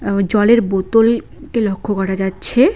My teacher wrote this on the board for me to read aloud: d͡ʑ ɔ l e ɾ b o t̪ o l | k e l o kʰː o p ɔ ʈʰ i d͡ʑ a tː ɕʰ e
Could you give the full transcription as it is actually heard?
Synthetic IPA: d͡ʑ ɔ l e ɾ b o t̪ o l | k e l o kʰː o k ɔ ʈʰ a d͡ʑ a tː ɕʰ e